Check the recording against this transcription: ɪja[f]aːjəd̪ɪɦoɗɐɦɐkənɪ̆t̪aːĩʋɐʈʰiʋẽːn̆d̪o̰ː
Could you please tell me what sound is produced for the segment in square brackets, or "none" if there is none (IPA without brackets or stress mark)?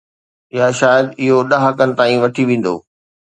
ʃ